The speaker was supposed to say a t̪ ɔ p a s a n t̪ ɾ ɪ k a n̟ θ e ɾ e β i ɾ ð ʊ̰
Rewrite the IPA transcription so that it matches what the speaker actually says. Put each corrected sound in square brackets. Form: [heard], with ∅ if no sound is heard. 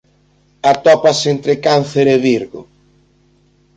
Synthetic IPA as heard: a t̪ ɔ p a s [e] n t̪ ɾ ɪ k a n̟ θ e ɾ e β i ɾ [ɣ] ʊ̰